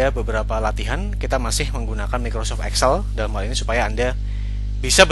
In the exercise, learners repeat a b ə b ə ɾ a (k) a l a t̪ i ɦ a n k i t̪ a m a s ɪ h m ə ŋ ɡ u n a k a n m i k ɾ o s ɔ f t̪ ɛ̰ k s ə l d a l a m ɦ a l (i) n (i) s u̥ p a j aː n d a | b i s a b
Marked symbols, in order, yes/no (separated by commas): no, yes, yes